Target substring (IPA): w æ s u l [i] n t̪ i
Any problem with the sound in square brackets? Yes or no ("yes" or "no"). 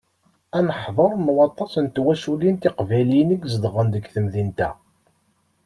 no